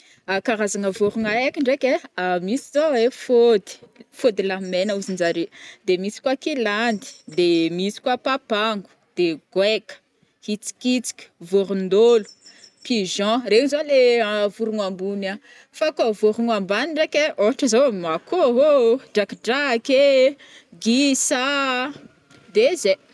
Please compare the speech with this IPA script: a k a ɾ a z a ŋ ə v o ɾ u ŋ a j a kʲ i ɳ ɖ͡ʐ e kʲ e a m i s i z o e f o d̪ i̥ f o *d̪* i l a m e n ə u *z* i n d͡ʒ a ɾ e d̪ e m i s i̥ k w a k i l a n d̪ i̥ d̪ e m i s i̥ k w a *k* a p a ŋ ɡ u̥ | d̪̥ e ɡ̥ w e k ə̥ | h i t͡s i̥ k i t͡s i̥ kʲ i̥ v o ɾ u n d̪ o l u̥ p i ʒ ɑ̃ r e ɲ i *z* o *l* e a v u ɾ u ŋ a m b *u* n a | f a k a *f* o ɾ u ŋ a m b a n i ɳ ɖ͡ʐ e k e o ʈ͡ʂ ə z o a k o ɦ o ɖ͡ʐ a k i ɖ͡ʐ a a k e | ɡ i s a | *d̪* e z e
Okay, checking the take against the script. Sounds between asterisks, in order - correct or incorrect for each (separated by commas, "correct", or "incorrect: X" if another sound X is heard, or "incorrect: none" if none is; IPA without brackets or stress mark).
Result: correct, correct, incorrect: p, correct, correct, correct, incorrect: v, correct